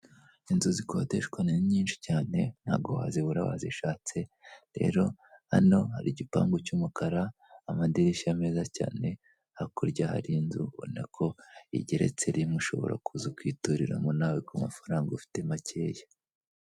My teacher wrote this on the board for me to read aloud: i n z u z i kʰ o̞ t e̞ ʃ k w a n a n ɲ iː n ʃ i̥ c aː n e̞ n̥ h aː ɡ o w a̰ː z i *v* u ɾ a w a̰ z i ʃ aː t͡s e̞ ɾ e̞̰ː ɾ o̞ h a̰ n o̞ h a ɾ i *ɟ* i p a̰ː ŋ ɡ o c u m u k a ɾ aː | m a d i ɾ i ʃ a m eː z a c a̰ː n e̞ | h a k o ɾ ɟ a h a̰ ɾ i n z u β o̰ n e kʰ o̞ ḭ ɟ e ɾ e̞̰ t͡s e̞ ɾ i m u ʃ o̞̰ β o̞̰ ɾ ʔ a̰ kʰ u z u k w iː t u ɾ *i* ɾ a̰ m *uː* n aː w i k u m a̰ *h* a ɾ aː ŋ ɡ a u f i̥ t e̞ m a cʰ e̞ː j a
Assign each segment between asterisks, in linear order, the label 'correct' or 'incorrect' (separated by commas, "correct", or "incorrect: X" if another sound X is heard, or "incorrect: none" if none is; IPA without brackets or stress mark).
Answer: incorrect: β, correct, correct, incorrect: u, incorrect: f